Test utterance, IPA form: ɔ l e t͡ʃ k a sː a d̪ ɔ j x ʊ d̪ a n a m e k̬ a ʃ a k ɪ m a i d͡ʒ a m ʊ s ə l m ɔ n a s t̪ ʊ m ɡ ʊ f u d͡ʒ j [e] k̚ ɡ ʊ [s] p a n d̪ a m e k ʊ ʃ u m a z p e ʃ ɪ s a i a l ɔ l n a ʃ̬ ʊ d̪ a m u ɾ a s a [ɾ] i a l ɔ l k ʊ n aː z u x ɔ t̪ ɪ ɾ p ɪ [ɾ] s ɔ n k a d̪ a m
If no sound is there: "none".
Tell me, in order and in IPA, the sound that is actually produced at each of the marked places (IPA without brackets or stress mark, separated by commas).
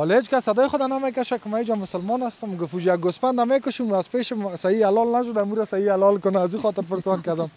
a, s, none, ɾ